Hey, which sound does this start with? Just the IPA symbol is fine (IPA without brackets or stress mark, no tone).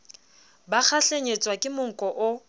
b